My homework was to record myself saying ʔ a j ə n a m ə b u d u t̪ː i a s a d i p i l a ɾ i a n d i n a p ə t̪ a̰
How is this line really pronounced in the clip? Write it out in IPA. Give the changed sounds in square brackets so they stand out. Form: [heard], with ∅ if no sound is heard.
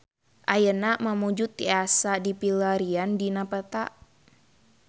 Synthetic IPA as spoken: ʔ a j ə n a m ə [m] u [d͡ʒ] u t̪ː i a s a d i p i l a ɾ i a n d i n a p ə t̪ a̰